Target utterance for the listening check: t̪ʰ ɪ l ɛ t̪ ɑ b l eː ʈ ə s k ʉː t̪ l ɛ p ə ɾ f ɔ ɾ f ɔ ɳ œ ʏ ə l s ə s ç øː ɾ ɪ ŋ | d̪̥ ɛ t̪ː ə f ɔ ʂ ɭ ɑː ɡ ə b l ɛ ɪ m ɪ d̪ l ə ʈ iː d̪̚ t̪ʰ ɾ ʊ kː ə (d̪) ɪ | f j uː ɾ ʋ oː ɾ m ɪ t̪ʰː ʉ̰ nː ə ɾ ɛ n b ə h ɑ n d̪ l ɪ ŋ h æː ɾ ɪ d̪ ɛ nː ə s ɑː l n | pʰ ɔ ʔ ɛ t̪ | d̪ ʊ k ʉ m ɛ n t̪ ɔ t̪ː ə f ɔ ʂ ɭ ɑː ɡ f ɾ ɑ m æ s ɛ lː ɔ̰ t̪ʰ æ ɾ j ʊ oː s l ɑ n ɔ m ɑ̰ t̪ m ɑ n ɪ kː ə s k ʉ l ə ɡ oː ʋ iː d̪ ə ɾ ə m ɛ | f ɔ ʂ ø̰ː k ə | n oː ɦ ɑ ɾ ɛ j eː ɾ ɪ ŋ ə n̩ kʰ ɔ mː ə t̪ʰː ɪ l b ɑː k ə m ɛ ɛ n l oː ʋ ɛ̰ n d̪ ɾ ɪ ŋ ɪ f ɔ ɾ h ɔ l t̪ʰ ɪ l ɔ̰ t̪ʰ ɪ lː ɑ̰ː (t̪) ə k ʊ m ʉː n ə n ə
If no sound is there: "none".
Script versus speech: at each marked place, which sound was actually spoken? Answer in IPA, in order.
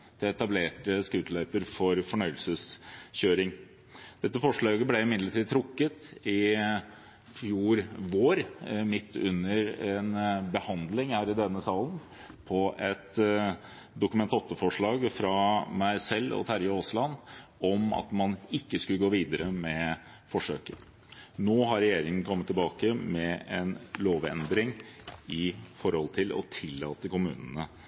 t̪, t̪

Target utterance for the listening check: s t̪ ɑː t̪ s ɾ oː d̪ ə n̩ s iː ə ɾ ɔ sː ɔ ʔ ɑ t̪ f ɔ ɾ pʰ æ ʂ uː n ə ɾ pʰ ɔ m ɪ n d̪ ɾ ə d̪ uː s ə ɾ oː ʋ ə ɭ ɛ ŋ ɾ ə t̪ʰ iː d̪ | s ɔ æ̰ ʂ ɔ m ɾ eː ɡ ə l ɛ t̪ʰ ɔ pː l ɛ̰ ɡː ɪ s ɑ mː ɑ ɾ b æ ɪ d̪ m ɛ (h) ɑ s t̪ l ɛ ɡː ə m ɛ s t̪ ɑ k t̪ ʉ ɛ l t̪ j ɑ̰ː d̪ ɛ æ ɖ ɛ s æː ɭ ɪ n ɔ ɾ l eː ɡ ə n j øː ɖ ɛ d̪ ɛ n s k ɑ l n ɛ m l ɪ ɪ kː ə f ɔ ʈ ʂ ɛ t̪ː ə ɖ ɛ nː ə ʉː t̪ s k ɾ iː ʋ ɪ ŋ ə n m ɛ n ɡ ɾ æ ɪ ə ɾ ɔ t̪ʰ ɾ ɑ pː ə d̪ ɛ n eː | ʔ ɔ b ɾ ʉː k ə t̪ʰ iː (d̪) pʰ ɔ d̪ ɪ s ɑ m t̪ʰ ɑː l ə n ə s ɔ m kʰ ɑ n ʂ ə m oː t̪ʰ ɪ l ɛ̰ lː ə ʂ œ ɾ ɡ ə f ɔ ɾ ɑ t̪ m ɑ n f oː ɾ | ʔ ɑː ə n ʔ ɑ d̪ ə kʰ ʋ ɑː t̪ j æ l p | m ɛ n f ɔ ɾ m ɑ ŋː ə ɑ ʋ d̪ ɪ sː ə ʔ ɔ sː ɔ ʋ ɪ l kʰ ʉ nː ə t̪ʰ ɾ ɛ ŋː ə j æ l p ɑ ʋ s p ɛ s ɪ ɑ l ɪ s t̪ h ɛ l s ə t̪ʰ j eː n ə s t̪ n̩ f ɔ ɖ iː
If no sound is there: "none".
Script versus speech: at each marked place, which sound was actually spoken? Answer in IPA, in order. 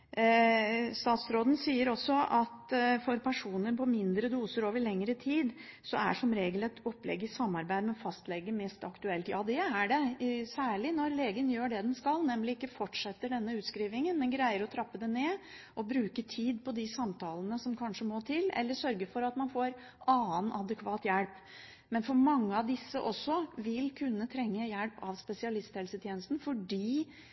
f, d̪

